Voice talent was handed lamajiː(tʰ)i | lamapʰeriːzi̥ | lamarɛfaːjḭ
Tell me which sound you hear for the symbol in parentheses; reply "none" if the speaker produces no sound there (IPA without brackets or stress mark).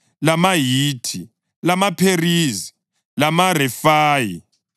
tʰ